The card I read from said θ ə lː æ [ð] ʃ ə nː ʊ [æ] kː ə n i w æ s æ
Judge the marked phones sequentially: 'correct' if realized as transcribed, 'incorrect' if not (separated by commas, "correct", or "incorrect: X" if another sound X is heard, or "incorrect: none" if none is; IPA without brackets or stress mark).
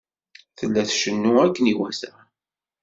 incorrect: θ, correct